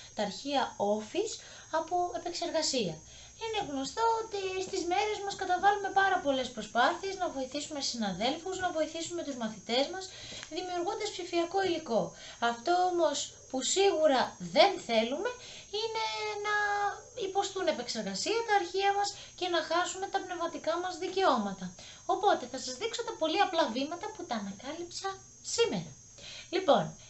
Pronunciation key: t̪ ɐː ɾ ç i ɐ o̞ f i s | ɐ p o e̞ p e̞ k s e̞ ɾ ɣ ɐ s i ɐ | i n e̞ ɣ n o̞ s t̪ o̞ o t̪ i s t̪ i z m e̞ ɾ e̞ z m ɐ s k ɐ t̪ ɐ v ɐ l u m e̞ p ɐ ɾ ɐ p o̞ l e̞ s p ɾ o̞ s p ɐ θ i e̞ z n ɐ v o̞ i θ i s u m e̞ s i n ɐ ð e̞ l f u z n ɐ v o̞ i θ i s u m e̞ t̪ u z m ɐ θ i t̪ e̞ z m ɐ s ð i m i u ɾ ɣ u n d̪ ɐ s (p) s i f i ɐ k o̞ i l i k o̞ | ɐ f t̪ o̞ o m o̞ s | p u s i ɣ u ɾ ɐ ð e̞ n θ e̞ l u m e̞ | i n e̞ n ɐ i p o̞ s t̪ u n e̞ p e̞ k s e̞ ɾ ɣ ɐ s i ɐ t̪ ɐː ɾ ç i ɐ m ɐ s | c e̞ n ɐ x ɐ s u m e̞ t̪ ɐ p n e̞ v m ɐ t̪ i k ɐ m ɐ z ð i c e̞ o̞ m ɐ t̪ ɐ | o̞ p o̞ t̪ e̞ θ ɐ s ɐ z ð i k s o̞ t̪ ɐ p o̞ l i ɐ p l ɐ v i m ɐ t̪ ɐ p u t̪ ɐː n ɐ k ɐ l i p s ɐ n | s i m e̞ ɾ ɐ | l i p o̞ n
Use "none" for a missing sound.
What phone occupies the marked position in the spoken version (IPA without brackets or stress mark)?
p